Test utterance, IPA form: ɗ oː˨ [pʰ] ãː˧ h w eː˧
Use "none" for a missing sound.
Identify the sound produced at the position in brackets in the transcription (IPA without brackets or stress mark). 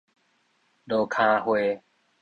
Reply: kʰ